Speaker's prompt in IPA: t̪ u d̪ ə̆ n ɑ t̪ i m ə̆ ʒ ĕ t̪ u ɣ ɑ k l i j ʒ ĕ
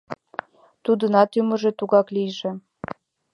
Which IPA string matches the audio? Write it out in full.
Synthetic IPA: t̪ u d̪ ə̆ n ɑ t̪ y m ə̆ ʒ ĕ t̪ u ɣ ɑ k l i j ʒ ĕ

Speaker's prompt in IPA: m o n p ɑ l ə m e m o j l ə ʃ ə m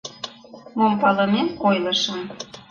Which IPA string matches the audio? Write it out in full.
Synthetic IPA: m o m p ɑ l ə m e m o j l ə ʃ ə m

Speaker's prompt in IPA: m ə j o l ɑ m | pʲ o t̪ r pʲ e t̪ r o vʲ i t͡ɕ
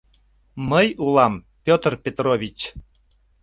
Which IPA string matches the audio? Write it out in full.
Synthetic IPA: m ə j u l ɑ m | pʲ o t̪ r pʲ e t̪ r o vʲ i t͡ɕ

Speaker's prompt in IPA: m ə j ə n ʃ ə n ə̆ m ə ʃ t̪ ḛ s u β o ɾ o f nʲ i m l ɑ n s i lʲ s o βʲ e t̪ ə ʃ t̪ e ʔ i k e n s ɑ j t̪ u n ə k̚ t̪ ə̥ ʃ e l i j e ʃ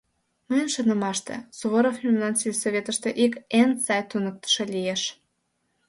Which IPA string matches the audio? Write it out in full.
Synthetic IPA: m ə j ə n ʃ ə n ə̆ m ɑ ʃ t̪ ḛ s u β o ɾ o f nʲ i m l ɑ n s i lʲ s o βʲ e t̪ ə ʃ t̪ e ʔ i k e n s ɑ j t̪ u n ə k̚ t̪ ə̥ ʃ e l i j e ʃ

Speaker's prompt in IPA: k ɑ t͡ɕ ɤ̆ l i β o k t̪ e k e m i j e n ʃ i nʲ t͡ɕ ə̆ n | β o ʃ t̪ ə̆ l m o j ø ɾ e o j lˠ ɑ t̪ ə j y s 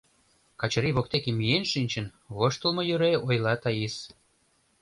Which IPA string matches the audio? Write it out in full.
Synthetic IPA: k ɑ t͡ɕ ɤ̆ ɾ i β o k t̪ e k e m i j e n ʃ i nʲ t͡ɕ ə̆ n | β o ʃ t̪ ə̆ l m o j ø ɾ e o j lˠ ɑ t̪ ɑ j i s

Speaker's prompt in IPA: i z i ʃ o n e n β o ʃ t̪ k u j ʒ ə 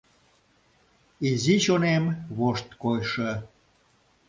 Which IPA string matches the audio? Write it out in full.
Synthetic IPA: i z i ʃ o n e m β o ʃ t̪ k o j ʃ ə

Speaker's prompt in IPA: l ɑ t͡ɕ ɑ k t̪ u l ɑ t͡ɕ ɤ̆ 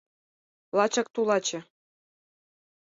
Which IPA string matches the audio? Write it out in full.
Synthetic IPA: l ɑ t͡ɕ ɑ k t̪ u l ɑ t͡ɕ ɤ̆

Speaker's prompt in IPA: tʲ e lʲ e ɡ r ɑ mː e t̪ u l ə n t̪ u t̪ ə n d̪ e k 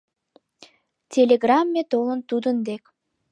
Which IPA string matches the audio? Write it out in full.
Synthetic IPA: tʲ e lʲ e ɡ r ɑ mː e t̪ o l ə n t̪ u d̪ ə n d̪ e k

